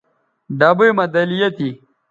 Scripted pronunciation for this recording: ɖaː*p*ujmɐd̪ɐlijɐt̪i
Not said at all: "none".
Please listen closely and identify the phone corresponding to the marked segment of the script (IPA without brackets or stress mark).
b